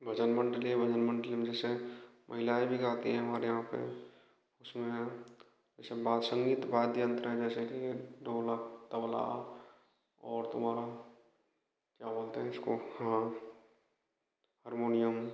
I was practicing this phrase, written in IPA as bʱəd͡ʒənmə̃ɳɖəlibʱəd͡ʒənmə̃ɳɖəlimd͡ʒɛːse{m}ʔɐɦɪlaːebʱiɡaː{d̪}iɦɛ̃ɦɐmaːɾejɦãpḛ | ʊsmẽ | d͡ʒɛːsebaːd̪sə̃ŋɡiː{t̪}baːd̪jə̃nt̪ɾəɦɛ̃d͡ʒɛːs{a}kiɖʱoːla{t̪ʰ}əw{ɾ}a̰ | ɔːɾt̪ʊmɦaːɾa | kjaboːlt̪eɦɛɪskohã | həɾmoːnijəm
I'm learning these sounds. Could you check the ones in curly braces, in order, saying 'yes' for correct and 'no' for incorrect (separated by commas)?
yes, no, yes, no, no, no